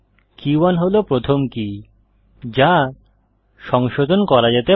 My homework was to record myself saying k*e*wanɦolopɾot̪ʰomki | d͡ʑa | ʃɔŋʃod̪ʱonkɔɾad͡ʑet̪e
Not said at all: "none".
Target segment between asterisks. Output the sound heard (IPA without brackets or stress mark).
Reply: i